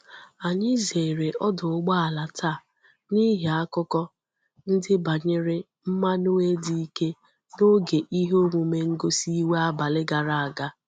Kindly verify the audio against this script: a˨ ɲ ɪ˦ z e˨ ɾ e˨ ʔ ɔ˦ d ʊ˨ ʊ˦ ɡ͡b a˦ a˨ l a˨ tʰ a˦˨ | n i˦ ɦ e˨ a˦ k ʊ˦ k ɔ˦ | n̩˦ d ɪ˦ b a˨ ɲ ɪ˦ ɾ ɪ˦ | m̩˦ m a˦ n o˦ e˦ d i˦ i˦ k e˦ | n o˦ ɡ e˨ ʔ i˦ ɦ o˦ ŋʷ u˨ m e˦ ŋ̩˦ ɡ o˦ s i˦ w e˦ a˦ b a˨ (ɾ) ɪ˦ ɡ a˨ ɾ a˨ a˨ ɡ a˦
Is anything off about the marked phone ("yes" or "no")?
yes